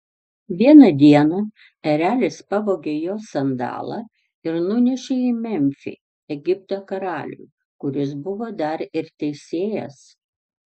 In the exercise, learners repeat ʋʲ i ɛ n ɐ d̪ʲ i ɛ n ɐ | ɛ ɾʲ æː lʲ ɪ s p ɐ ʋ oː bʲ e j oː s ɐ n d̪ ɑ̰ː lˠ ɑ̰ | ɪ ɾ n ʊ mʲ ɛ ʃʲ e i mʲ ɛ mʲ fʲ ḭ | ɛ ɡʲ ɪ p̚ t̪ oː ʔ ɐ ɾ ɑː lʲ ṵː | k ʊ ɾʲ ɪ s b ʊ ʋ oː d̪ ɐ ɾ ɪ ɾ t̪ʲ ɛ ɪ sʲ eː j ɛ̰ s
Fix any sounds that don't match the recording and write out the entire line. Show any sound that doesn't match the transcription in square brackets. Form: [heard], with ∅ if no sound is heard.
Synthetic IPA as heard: ʋʲ i ɛ n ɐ d̪ʲ i ɛ n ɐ | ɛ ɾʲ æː lʲ ɪ s p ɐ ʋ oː [ɡʲ] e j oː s ɐ n d̪ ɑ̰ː lˠ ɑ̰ | ɪ ɾ n ʊ [nʲ] ɛ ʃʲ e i mʲ ɛ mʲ fʲ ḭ | ɛ ɡʲ ɪ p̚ t̪ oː [k] ɐ ɾ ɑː lʲ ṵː | k ʊ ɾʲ ɪ s b ʊ ʋ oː d̪ ɐ ɾ ɪ ɾ t̪ʲ ɛ ɪ sʲ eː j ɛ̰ s